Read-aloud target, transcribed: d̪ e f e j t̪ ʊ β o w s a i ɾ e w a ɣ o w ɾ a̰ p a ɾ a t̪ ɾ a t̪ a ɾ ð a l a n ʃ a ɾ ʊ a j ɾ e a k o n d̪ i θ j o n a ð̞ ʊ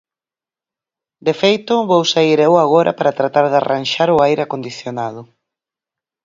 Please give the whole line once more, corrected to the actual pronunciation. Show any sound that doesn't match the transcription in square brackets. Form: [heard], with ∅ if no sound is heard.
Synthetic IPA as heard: d̪ e f e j t̪ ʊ β o w s a i ɾ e w a ɣ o [∅] ɾ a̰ p a ɾ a t̪ ɾ a t̪ a ɾ ð a [r] a n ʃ a ɾ ʊ a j ɾ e a k o n d̪ i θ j o n a ð̞ ʊ